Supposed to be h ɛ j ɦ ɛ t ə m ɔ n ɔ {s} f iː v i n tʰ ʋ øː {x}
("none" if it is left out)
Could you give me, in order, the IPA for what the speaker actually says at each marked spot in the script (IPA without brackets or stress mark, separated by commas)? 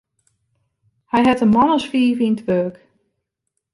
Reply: s, k